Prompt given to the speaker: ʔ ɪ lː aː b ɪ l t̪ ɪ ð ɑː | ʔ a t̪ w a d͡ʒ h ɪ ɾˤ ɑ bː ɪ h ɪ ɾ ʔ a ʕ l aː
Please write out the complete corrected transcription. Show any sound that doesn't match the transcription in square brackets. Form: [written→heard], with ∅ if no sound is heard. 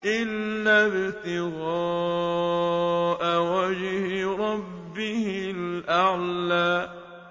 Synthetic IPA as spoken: ʔ ɪ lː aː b ɪ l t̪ ɪ [ð→ɣ] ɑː | ʔ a [t̪→∅] w a d͡ʒ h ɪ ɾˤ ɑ bː ɪ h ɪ [ɾ→l] ʔ a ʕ l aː